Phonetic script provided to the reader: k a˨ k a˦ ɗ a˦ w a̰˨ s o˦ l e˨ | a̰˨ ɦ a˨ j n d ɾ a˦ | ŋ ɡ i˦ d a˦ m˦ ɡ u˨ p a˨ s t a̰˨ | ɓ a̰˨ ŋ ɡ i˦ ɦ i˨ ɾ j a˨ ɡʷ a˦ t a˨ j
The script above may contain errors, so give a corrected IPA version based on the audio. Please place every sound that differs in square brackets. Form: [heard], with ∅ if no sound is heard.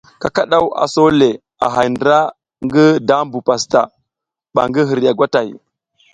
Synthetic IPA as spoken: k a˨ k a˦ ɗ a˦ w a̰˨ s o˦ l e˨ | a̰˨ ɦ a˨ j n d ɾ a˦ | ŋ ɡ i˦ d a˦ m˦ [b] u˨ p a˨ s t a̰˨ | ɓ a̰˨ ŋ ɡ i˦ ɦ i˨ ɾ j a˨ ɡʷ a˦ t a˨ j